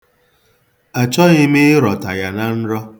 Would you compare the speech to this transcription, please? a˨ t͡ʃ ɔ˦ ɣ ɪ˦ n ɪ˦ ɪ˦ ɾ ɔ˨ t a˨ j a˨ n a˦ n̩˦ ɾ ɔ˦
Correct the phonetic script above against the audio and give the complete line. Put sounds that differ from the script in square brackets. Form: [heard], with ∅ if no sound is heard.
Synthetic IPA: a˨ t͡ʃ ɔ˦ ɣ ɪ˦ [m] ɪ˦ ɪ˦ ɾ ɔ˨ t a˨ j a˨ n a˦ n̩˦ ɾ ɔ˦